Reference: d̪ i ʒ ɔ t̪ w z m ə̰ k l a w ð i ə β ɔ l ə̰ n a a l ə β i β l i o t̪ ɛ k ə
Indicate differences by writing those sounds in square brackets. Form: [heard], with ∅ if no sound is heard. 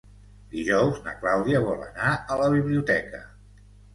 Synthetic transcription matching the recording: d̪ i ʒ ɔ [∅] w z [n] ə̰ k l a w ð i ə β ɔ l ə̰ n a [ə] l ə β i β l i [u] t̪ ɛ k ə